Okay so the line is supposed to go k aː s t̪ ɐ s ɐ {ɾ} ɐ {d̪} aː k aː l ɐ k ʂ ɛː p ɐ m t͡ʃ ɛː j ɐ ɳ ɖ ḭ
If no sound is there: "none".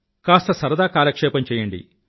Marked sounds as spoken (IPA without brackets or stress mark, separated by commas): ɾ, d̪